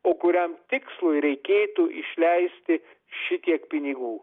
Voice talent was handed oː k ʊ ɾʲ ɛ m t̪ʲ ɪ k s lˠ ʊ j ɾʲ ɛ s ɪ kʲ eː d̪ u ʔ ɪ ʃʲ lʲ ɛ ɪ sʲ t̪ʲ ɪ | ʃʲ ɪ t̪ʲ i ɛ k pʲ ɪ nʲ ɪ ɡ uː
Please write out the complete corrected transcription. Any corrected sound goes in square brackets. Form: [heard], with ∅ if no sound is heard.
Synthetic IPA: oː k ʊ ɾʲ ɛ m t̪ʲ ɪ k s lˠ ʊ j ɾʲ ɛ [∅] ɪ kʲ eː [t̪] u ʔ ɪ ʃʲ lʲ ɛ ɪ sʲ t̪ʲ ɪ | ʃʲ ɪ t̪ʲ i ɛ k pʲ ɪ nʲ ɪ ɡ uː